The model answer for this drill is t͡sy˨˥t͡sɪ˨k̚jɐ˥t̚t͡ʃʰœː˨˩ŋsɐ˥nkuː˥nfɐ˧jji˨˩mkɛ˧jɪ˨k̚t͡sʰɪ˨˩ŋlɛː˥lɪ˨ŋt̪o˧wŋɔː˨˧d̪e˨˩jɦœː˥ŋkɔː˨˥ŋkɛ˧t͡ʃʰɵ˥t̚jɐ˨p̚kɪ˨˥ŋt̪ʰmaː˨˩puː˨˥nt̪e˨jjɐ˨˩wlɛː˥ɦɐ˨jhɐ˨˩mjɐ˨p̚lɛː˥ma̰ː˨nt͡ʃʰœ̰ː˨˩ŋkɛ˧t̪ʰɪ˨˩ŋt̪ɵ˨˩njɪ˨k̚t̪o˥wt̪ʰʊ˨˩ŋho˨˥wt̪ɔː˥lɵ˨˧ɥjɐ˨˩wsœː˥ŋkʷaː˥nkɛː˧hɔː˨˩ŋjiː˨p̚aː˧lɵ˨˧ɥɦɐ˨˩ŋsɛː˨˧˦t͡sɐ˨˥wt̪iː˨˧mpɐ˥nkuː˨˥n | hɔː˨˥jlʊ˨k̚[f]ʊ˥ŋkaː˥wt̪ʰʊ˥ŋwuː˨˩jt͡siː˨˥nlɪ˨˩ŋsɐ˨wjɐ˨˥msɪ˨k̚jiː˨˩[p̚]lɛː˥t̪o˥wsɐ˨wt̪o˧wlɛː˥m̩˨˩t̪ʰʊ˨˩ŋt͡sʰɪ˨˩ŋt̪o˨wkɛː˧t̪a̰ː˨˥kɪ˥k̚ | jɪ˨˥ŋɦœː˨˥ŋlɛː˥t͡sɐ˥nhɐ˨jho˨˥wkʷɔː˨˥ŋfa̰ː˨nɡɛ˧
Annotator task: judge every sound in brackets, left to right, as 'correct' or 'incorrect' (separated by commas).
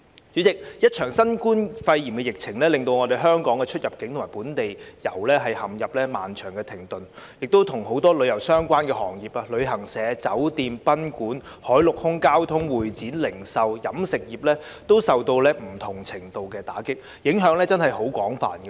incorrect, correct